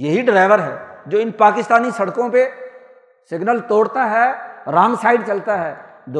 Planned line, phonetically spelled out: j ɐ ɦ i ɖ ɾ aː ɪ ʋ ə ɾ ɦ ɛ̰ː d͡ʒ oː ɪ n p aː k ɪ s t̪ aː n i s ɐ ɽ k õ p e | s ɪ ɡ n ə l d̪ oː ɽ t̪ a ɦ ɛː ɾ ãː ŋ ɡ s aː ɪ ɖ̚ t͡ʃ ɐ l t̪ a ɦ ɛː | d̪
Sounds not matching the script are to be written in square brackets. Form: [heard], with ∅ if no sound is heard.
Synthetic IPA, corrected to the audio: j ɐ ɦ i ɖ ɾ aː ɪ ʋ ə ɾ ɦ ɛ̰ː d͡ʒ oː ɪ n p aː k ɪ s t̪ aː n i s ɐ ɽ k õ p e | s ɪ ɡ n ə l [t̪] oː ɽ t̪ a ɦ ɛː ɾ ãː ŋ ɡ s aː ɪ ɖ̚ t͡ʃ ɐ l t̪ a ɦ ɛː | d̪